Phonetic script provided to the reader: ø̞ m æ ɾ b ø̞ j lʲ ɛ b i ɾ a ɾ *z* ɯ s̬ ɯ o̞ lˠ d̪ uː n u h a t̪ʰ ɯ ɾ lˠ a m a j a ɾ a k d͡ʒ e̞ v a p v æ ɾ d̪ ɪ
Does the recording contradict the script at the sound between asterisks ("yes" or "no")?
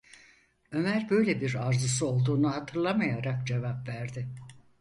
no